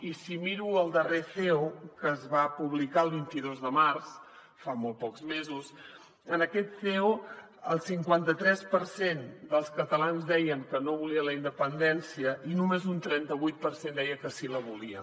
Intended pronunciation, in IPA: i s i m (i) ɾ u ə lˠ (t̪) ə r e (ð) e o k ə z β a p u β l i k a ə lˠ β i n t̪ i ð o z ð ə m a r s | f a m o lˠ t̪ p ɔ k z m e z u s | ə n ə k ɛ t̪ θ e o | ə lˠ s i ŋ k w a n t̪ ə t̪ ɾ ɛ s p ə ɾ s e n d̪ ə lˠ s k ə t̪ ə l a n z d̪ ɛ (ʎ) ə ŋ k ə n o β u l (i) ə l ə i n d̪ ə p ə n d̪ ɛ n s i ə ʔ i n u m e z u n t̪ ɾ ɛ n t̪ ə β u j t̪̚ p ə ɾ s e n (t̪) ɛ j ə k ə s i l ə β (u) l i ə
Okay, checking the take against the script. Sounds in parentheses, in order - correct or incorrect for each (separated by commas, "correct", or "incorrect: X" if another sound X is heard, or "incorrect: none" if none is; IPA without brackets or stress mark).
correct, incorrect: d̪, incorrect: θ, incorrect: j, correct, incorrect: d̪, correct